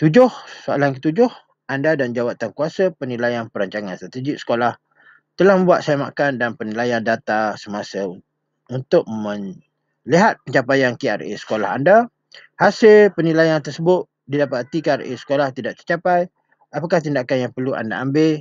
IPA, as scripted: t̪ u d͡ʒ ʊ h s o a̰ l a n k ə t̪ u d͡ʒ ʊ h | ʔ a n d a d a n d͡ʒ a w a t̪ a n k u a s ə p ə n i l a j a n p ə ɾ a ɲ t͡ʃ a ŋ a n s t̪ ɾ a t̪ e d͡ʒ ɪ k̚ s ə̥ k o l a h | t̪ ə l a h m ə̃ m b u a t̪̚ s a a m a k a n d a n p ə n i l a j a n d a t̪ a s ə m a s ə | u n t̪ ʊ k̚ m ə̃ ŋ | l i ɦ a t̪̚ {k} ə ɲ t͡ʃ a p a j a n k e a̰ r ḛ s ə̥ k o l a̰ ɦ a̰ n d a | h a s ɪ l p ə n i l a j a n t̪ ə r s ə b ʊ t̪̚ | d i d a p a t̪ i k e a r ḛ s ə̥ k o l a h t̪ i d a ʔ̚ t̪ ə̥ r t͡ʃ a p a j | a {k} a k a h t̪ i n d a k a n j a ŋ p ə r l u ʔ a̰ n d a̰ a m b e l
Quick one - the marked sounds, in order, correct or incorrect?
incorrect, incorrect

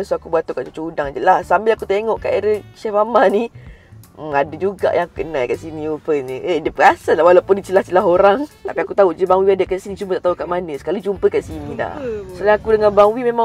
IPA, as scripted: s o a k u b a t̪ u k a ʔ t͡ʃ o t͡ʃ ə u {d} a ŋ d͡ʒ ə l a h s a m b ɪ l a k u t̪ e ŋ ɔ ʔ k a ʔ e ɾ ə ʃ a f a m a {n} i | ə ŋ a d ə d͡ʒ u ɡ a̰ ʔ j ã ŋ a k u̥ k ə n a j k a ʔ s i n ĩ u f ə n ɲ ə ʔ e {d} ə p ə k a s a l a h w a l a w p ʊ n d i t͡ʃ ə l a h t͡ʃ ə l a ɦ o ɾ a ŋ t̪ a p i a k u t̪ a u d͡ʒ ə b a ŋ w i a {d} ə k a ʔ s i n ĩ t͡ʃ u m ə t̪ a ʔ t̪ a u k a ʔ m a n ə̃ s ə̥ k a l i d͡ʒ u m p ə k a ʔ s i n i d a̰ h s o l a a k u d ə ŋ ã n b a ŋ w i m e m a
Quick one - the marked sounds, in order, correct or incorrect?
correct, correct, correct, correct

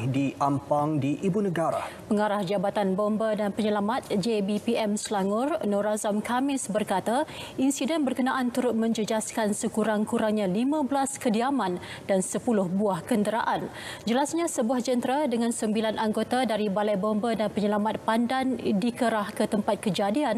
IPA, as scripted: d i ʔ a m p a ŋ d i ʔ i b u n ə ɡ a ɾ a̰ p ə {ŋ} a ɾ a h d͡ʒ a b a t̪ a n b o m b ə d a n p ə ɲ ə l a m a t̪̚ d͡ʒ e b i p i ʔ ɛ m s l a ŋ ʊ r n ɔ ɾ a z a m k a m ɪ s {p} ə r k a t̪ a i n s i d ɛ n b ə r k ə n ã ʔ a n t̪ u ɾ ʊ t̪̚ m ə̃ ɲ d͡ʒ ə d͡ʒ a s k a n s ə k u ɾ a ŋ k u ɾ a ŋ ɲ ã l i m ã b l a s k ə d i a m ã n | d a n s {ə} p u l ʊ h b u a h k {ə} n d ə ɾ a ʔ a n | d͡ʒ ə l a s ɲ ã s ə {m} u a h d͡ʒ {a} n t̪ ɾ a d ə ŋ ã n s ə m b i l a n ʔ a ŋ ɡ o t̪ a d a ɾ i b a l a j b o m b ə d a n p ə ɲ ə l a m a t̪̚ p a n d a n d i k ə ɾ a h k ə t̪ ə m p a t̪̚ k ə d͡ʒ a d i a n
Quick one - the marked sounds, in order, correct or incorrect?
correct, incorrect, correct, correct, incorrect, incorrect

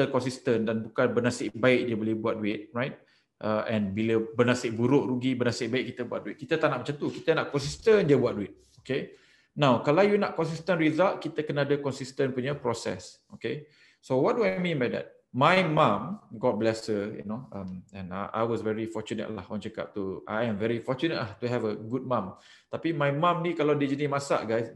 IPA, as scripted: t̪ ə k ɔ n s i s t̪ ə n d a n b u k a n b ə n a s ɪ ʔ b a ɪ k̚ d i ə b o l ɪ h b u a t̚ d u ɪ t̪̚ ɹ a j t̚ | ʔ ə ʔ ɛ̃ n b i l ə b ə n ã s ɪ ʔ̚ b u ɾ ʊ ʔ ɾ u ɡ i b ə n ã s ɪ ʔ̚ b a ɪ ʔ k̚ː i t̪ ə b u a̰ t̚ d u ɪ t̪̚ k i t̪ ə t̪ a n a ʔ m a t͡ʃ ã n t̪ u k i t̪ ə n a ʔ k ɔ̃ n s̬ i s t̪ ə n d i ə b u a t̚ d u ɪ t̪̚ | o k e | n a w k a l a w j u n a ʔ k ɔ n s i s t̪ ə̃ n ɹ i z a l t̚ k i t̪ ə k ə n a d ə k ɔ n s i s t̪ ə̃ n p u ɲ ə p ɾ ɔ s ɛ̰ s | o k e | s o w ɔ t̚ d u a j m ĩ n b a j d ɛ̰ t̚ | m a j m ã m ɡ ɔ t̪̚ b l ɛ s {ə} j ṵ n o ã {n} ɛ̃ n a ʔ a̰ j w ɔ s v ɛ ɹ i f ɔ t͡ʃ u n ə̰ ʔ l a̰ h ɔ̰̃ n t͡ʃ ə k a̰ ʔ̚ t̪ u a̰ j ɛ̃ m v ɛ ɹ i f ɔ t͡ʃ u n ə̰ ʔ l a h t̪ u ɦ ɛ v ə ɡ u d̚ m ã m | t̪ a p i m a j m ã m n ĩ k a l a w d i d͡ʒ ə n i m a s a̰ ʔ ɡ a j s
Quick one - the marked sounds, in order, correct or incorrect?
correct, incorrect

